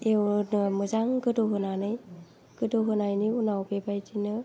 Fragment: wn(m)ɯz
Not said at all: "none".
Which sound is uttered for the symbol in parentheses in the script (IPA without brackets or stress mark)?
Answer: m